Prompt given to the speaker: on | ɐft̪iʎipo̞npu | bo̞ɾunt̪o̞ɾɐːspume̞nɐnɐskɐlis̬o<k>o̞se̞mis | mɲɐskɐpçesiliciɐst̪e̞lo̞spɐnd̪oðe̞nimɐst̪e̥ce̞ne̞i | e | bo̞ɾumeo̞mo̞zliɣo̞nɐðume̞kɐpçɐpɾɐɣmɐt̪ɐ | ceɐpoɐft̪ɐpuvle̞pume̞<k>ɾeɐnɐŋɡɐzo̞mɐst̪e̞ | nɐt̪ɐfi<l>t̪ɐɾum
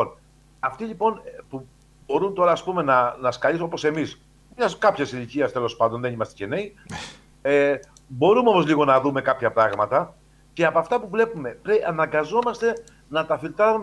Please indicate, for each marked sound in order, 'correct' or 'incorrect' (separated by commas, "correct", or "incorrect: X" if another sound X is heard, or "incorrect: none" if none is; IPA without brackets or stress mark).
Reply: incorrect: p, incorrect: p, correct